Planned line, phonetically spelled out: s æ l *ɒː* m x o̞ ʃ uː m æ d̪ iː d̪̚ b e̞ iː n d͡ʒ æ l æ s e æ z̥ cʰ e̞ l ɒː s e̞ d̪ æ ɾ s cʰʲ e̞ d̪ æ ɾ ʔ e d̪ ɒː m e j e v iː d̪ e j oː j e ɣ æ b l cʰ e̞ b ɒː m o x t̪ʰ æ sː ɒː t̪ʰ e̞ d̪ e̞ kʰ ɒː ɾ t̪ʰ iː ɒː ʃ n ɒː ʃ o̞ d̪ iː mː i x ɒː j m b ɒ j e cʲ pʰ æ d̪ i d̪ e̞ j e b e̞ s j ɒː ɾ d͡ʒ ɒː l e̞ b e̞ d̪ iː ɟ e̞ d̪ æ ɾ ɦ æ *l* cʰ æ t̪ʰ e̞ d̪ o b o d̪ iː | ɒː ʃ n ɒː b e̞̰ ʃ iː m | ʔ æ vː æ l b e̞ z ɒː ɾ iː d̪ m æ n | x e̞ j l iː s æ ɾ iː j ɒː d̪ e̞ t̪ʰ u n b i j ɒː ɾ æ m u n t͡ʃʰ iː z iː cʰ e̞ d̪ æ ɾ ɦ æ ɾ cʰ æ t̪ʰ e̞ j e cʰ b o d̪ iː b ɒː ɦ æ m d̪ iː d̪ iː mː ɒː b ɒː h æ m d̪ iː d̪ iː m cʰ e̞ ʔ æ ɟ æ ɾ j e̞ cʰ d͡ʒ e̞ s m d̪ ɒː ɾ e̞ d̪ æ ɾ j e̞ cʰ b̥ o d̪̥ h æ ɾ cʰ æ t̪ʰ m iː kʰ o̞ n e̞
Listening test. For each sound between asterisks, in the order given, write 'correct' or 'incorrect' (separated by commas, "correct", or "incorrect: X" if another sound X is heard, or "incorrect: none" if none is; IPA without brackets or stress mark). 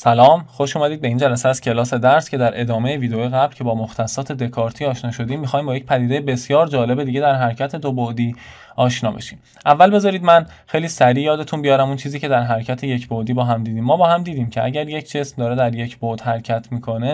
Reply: correct, incorrect: ɾ